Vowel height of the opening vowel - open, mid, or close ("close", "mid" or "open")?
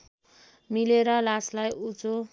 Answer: close